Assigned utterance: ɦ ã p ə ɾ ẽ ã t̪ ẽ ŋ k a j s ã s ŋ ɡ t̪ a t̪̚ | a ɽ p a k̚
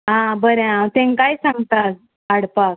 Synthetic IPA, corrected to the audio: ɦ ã b ə ɾ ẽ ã t̪ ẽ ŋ k a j s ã ŋ ɡ t̪ a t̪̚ | a ɽ p a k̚